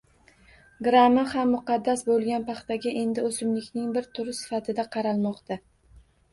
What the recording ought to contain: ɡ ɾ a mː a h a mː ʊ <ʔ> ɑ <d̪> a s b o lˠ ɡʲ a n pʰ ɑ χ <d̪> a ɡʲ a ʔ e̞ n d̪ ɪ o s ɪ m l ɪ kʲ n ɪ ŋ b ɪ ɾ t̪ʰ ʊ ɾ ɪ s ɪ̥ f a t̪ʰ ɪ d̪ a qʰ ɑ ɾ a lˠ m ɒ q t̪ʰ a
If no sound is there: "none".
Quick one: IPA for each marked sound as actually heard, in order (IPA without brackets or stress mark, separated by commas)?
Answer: q, d̪ː, t̪